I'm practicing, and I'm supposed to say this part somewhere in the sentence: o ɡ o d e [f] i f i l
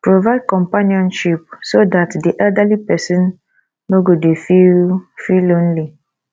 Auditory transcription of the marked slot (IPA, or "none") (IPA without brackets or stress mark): f